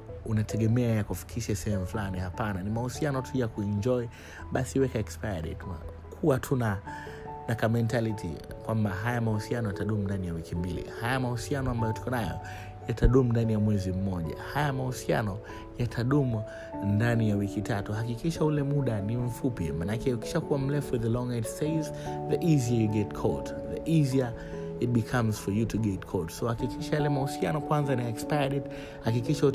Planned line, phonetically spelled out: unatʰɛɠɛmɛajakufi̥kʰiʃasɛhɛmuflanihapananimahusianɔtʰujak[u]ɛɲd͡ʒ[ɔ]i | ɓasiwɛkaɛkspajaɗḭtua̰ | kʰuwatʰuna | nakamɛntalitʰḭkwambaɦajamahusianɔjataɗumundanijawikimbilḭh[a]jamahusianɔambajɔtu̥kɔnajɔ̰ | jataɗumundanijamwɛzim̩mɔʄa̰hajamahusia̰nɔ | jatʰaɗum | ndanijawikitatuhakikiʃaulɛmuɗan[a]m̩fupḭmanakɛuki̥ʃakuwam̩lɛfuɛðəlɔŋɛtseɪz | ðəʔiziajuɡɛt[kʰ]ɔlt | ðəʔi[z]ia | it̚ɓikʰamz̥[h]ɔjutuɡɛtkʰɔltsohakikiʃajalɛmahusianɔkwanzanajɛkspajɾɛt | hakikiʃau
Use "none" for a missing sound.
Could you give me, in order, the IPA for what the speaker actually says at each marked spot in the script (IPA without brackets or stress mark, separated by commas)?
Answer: u, ɔ, a, i, kʰ, z, f